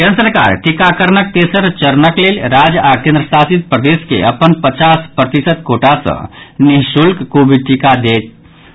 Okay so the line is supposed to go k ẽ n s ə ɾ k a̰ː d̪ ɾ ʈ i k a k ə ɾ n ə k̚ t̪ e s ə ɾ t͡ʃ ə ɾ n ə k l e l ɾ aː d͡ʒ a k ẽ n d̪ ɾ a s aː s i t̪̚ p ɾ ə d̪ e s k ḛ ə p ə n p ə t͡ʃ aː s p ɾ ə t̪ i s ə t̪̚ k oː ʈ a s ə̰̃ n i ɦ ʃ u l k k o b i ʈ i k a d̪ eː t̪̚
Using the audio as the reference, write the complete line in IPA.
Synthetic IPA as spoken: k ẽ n s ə ɾ k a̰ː ɾ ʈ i k a k ə ɾ n ə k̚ t̪ e s ə ɾ t͡ʃ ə ɾ n ə k l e l ɾ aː d͡ʒ a k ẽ n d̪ ɾ ə s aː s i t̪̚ p ɾ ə d̪ e s k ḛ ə p ə n p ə t͡ʃ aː s p ɾ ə t̪ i s ə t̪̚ k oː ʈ a s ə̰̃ n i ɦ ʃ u l k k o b i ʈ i k a d̪ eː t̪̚